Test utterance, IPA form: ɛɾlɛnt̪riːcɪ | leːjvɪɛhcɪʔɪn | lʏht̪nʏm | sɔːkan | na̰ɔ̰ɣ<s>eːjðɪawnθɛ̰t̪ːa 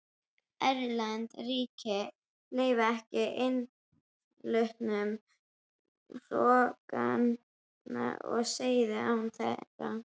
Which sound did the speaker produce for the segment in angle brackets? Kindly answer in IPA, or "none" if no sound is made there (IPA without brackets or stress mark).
s